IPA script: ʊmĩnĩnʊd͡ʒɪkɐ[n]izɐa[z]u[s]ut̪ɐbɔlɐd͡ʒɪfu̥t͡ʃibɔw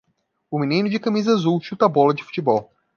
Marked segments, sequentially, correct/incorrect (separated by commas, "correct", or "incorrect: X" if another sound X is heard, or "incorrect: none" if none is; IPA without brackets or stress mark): incorrect: m, correct, incorrect: ʃ